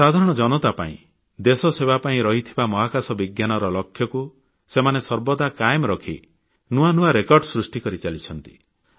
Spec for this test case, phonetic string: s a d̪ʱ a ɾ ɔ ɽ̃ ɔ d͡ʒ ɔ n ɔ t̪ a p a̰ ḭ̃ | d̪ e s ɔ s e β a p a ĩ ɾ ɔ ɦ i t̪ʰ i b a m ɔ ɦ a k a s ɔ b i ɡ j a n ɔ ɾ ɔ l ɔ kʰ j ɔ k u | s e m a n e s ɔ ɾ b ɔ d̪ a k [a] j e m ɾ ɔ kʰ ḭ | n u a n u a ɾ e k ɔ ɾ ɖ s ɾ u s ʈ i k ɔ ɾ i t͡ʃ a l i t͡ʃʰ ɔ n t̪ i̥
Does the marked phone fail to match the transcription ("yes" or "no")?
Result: no